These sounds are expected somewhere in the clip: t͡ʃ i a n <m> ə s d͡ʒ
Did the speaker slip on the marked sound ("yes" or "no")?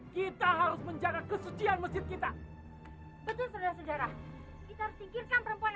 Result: no